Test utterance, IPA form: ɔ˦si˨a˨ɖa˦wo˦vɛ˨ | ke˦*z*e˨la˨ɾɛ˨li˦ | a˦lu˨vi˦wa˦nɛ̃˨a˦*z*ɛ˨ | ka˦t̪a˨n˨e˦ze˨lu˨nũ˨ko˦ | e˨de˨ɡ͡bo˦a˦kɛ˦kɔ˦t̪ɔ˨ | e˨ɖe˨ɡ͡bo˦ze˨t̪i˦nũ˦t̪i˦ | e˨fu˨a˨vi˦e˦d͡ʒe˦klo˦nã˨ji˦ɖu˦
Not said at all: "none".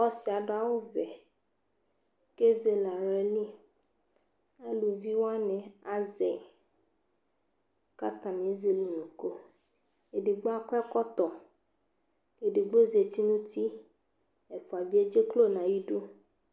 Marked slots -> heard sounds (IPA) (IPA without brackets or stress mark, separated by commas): z, z